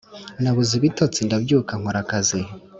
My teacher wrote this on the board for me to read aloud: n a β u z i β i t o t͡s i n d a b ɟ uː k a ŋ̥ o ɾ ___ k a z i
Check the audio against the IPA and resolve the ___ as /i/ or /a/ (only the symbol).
a